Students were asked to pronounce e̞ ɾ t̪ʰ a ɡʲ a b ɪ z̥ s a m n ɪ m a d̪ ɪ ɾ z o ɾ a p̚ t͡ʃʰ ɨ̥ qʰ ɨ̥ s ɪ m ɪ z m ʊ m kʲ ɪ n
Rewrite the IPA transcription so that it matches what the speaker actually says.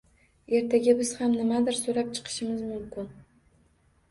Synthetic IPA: e̞ ɾ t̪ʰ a ɡʲ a b ɪ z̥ h a m n ɪ m a d̪ ɪ ɾ s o ɾ a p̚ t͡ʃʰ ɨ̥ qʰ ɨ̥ ʃ ɪ m ɪ z m ʊ m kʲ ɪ n